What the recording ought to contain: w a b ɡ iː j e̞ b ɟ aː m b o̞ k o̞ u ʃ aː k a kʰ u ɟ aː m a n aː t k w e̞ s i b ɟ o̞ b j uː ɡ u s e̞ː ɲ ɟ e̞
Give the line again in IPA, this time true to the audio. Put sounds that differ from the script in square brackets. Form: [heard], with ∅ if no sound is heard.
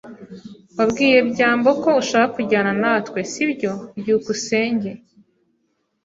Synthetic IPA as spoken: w a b ɡ iː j e̞ b ɟ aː m b o̞ k o̞ u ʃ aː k a [k] u ɟ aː [n] a n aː t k w e̞ s i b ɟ o̞ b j uː [k] u s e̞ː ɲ ɟ e̞